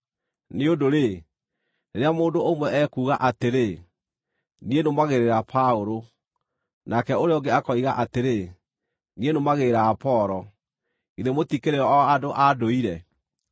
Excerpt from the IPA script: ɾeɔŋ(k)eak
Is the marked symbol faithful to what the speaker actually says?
no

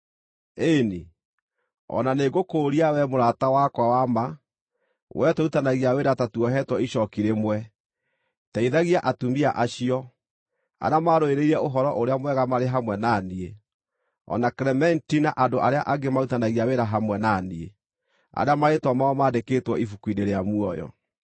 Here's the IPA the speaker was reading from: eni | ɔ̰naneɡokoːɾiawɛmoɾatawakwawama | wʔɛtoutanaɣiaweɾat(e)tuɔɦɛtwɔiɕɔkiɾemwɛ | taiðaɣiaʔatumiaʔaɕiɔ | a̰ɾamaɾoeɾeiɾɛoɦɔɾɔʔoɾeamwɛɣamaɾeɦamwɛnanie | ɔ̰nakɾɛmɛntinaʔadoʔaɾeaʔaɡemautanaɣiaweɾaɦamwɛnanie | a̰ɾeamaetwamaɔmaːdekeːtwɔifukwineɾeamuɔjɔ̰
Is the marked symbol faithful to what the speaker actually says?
no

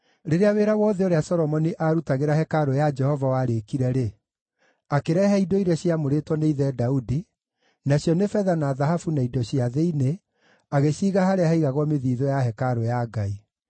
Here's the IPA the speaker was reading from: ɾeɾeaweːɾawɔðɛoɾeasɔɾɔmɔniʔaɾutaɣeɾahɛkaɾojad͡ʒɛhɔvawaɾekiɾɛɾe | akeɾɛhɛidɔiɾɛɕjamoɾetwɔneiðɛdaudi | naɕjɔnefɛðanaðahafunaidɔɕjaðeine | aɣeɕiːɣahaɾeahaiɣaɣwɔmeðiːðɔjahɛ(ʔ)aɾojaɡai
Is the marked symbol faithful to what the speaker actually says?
no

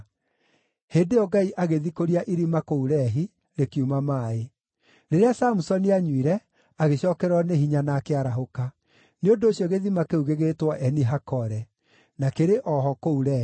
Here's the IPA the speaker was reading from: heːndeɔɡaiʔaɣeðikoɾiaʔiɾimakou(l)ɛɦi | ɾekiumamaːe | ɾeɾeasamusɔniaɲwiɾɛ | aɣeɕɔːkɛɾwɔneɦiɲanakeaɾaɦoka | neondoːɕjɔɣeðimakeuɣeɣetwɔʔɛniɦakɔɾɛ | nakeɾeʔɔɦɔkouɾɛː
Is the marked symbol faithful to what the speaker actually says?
no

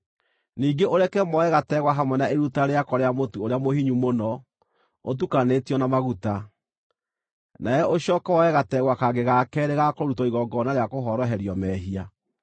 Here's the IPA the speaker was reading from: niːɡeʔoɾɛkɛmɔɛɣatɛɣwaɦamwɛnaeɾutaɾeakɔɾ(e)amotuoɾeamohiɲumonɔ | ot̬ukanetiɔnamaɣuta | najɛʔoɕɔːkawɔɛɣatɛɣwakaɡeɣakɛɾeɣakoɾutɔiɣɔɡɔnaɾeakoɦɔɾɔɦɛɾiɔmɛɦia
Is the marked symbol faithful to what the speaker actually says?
yes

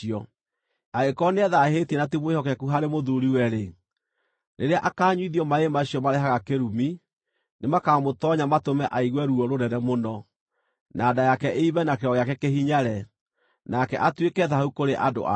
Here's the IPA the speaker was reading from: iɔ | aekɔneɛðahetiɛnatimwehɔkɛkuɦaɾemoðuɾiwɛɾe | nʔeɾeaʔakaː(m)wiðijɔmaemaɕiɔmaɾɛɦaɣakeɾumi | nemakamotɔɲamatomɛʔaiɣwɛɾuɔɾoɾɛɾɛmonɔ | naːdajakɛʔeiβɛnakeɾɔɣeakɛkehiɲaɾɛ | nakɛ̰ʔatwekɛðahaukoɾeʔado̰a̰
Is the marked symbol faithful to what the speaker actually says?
no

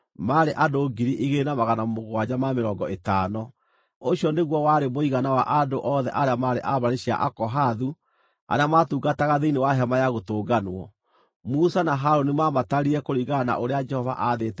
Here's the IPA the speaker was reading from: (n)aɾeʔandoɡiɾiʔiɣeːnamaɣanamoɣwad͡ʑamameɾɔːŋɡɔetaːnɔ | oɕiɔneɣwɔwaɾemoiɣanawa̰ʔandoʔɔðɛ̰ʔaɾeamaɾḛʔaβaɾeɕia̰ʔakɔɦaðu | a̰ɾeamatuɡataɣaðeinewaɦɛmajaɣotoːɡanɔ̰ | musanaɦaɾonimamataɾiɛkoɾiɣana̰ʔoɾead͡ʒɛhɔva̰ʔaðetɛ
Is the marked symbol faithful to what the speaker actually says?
no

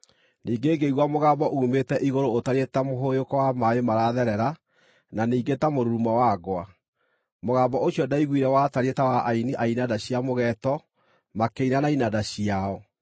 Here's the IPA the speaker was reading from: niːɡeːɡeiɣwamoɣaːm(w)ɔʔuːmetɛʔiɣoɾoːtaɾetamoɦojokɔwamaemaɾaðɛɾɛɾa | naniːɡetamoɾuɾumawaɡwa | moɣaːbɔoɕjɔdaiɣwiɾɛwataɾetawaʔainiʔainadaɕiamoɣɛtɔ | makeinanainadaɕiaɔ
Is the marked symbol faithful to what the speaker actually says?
no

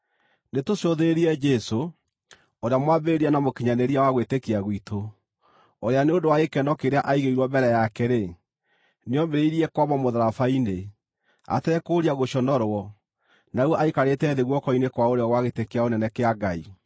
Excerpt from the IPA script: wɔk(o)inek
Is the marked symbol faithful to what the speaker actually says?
no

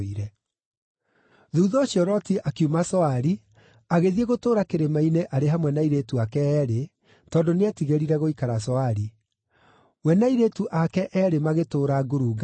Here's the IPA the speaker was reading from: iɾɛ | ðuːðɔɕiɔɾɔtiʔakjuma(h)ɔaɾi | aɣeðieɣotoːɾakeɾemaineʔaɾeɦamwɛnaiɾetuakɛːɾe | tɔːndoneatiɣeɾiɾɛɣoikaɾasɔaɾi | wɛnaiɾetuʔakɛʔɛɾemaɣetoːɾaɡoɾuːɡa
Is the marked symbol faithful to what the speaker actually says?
no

